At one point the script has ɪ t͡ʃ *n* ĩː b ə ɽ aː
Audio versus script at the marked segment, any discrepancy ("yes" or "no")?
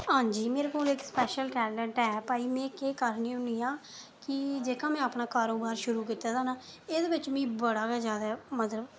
yes